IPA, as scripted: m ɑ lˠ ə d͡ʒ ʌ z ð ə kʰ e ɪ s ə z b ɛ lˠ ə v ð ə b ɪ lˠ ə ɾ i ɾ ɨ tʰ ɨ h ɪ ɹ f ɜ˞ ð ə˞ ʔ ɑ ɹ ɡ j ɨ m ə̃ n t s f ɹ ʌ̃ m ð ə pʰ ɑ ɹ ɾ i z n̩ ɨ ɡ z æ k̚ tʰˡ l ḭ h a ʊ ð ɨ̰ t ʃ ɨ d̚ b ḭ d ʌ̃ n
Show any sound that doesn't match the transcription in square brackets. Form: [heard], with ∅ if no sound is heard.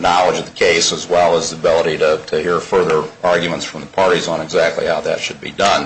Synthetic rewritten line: [n] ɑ lˠ ə d͡ʒ ʌ [v] ð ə kʰ e ɪ s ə z [w] ɛ lˠ ə [z] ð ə b ɪ lˠ ə ɾ i ɾ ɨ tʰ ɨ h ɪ ɹ f ɜ˞ ð ə˞ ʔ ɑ ɹ ɡ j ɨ m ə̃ n t s f ɹ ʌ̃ m ð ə pʰ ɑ ɹ ɾ i z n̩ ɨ ɡ z æ k̚ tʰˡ l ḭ h a ʊ ð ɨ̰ t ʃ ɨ d̚ b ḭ d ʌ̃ n